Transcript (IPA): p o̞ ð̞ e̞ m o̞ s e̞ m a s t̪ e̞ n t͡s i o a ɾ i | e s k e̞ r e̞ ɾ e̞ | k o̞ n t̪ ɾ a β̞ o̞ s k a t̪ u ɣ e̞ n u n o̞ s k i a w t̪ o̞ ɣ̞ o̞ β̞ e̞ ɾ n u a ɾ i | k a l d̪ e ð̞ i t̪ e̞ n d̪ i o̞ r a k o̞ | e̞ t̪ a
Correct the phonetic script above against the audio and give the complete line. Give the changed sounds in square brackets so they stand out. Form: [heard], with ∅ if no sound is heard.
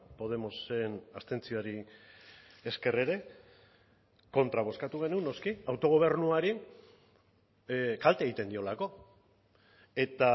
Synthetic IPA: p o̞ ð̞ e̞ m o̞ s e̞ [n] a s t̪ e̞ n t͡s i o a ɾ i | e s k e̞ r e̞ ɾ e̞ | k o̞ n t̪ ɾ a β̞ o̞ s k a t̪ u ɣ e̞ n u n o̞ s k i a w t̪ o̞ ɣ̞ o̞ β̞ e̞ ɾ n u a ɾ i | k a l [t̪] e [ɣ̞] i t̪ e̞ n d̪ i o̞ [l] a k o̞ | e̞ t̪ a